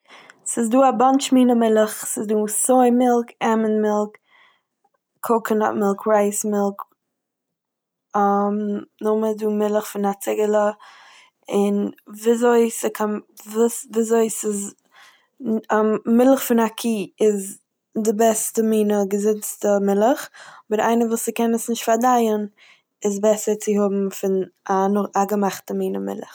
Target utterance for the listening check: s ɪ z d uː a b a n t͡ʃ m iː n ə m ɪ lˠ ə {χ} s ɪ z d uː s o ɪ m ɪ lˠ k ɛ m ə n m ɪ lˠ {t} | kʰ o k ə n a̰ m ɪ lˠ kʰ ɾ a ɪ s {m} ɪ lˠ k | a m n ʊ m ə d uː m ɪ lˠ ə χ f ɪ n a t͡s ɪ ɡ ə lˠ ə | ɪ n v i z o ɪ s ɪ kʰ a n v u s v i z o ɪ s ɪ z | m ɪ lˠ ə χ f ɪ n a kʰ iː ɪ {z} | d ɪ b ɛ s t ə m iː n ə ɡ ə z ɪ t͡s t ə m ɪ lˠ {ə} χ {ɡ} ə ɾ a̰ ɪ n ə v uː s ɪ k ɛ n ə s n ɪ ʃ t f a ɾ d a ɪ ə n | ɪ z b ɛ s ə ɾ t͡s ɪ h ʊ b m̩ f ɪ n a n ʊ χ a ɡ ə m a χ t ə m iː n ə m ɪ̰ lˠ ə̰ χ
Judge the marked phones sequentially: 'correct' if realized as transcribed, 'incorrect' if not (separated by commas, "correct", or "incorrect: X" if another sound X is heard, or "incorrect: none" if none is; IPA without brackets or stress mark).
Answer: correct, incorrect: k, correct, correct, correct, incorrect: b